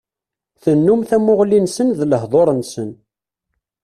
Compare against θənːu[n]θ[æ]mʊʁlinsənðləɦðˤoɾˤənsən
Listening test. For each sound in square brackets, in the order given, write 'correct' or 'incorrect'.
incorrect: m, correct

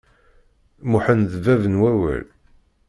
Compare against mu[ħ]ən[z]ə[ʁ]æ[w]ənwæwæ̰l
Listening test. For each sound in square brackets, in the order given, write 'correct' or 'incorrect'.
correct, incorrect: ð, incorrect: v, incorrect: v

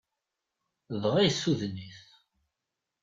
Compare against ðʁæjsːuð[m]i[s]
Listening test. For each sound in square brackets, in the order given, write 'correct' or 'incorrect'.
incorrect: n, incorrect: θ

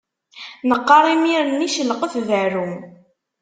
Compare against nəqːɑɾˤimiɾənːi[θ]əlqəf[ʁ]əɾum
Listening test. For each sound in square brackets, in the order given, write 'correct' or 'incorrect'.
incorrect: ʃ, incorrect: ð

